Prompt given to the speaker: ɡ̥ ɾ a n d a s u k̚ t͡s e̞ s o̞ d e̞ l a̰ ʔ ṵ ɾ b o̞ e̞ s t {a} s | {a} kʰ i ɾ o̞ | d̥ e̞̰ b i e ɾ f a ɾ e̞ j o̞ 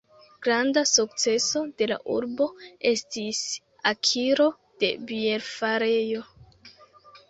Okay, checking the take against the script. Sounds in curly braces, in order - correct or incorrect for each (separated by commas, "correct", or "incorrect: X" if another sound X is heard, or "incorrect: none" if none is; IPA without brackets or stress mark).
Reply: incorrect: i, correct